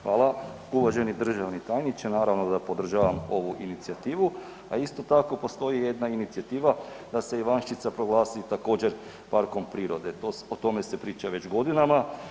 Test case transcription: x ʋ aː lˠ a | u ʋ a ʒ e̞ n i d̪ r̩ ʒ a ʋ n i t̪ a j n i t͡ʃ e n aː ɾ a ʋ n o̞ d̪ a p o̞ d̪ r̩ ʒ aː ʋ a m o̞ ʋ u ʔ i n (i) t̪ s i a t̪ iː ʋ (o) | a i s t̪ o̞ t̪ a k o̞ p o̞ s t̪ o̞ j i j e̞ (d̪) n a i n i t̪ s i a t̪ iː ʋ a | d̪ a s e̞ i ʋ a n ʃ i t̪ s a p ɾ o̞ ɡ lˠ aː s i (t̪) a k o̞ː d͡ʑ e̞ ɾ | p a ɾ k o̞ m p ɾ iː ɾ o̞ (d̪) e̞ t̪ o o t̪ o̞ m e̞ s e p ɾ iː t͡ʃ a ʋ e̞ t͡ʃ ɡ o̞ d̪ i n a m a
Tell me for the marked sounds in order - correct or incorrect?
correct, incorrect, correct, correct, correct

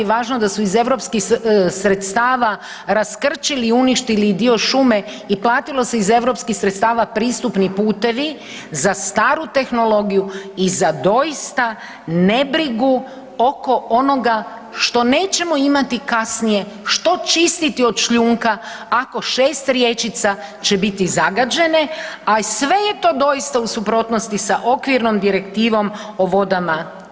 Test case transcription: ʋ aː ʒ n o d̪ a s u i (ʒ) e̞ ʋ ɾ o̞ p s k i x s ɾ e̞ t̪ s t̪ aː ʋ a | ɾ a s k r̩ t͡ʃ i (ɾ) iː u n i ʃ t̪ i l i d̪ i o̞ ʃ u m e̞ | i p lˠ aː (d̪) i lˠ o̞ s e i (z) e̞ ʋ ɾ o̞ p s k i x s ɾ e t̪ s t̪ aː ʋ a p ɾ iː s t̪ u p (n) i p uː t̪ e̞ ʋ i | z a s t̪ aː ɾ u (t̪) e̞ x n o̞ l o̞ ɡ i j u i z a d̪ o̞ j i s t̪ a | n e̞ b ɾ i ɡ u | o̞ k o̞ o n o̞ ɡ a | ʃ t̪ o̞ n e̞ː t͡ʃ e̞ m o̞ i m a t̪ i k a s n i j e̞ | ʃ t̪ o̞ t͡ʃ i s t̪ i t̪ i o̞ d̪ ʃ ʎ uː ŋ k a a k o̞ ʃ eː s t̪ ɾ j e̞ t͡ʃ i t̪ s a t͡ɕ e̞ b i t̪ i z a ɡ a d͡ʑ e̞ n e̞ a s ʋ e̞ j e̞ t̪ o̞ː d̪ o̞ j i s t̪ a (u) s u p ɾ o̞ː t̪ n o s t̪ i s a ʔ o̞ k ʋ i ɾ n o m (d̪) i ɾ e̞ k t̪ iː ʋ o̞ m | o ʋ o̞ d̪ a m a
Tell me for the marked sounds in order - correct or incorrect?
incorrect, incorrect, incorrect, correct, correct, correct, correct, correct

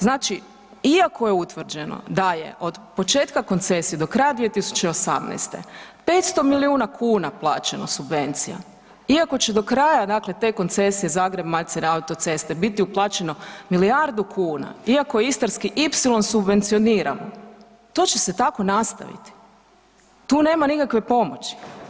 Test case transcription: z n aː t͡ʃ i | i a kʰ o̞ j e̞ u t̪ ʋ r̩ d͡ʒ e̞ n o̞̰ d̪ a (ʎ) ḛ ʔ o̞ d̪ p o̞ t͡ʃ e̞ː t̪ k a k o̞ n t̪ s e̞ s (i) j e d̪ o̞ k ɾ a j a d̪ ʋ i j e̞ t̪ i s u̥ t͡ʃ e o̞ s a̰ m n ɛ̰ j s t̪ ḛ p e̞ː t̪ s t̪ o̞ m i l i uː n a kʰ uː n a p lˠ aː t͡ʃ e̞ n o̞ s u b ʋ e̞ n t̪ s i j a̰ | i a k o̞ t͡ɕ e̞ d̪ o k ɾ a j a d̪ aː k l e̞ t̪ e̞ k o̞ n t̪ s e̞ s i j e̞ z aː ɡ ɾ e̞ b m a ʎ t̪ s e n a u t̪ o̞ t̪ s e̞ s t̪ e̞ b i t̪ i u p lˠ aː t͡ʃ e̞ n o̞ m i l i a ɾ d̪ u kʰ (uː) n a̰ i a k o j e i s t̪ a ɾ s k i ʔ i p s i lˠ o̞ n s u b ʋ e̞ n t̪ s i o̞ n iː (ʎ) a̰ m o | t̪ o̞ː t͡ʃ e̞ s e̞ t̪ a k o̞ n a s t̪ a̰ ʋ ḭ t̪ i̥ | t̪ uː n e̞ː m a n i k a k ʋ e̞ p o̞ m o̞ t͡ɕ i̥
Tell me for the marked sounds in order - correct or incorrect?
incorrect, correct, correct, incorrect

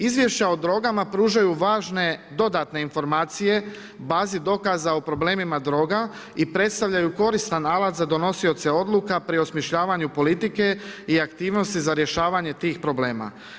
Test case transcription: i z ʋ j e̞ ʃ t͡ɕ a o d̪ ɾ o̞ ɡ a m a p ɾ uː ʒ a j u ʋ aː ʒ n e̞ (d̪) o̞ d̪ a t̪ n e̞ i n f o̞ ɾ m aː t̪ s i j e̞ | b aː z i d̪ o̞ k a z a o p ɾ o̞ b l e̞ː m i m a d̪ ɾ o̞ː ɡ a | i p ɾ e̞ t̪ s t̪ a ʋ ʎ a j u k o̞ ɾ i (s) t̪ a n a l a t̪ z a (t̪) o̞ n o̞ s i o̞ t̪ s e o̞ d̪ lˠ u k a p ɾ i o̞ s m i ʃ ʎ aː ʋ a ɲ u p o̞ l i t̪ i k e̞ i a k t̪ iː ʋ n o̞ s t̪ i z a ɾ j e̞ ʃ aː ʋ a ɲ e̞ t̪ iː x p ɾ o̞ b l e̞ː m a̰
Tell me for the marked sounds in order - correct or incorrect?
correct, correct, incorrect

